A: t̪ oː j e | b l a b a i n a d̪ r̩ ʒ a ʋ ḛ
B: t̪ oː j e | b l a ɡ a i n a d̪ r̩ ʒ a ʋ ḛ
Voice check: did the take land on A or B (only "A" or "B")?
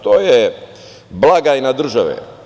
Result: B